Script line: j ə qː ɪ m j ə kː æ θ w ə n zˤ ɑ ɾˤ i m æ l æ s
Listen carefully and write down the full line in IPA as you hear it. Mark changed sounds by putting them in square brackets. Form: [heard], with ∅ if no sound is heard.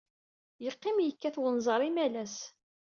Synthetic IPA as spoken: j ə qː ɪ m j ə kː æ θ w ə n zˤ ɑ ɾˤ i m æ l æ s